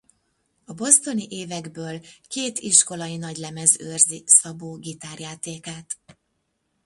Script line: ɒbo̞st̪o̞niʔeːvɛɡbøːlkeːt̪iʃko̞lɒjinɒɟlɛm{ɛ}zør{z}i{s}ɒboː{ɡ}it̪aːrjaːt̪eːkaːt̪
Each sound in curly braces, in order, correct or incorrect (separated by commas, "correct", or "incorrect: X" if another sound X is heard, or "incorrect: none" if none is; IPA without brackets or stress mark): correct, correct, correct, correct